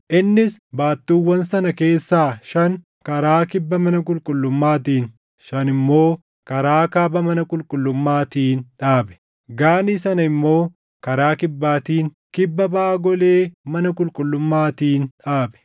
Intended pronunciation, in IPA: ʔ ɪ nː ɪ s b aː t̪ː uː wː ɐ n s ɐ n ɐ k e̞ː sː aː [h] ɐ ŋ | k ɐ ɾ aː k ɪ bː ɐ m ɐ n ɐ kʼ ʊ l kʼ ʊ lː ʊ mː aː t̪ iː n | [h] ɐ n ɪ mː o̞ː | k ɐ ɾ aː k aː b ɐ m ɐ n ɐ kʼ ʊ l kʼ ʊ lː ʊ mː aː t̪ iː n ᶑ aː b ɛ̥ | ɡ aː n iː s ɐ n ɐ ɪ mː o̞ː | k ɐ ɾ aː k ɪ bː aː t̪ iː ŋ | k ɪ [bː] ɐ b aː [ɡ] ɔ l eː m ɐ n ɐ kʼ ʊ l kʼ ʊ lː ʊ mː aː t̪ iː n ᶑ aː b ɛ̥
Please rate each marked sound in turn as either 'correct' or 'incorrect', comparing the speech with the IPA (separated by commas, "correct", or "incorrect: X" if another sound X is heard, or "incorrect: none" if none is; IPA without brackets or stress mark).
incorrect: ʃ, incorrect: ʃ, correct, correct